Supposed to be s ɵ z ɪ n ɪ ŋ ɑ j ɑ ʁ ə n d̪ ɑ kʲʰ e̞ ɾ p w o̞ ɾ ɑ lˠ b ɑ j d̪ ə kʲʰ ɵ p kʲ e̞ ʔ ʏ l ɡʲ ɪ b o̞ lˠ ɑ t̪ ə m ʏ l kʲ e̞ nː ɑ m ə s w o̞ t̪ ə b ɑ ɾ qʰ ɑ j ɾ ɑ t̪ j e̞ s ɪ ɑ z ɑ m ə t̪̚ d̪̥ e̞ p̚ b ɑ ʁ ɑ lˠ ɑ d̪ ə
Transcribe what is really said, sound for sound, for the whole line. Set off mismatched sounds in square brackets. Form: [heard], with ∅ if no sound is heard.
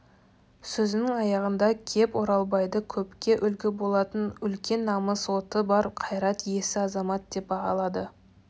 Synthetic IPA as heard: s ɵ z ɪ n ɪ ŋ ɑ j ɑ ʁ ə n d̪ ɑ kʲʰ e̞ [∅] p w o̞ ɾ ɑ lˠ b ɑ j d̪ ə kʲʰ ɵ p kʲ e̞ ʔ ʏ l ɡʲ ɪ b o̞ lˠ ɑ t̪ ə [n] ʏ l kʲ e̞ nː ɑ m ə s w o̞ t̪ ə b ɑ ɾ qʰ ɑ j ɾ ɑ t̪ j e̞ s ɪ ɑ z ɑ m [ɑ] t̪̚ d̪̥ e̞ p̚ b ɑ ʁ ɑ lˠ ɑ d̪ ə